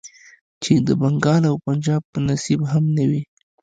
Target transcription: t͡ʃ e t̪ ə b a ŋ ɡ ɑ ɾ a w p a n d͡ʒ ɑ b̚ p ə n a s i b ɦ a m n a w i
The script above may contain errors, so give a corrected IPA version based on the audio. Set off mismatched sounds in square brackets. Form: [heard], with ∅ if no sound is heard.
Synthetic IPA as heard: t͡ʃ e [d̪] ə b a ŋ ɡ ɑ [l] a w p a n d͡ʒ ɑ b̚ p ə n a s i b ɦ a m n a w i